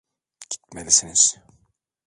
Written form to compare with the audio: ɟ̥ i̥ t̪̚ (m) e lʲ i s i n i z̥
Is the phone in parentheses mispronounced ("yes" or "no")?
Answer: no